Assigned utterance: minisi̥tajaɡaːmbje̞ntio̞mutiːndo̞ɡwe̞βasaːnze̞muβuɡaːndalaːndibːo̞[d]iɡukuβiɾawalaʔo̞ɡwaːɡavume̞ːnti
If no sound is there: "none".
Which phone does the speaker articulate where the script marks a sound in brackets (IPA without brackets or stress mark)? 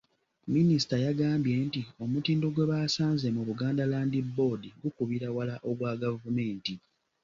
d